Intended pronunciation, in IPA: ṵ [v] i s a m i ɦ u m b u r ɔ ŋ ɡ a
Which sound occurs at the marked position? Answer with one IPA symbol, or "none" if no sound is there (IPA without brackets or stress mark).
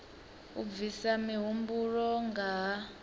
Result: v